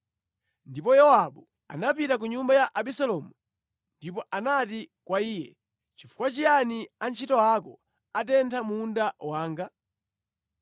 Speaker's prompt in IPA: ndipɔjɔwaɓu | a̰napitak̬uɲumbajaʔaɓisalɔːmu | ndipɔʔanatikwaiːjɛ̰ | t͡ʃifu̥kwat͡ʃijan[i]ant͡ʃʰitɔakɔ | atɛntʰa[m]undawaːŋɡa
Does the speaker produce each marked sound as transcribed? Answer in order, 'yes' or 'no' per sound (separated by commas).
yes, yes